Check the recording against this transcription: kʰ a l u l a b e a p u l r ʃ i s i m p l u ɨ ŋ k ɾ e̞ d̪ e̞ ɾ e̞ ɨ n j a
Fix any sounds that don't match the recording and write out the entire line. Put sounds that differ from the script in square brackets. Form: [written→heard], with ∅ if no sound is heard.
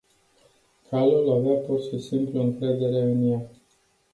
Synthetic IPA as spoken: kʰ a l u l a [b→v] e a p u [l→∅] r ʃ i s i m p l u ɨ ŋ k ɾ e̞ d̪ e̞ ɾ e̞ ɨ n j a